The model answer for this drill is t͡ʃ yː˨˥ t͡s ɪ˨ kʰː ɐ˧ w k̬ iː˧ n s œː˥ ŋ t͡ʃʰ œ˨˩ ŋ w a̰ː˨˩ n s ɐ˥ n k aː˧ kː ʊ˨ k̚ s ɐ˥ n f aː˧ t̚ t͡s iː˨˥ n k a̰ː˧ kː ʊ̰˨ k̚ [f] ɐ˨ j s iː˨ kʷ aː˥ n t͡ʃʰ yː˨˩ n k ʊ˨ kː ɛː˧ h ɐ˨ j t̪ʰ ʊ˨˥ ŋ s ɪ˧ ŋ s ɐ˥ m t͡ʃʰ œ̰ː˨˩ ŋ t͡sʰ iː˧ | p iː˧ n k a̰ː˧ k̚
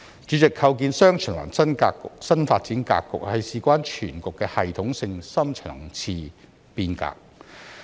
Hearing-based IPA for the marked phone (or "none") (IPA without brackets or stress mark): h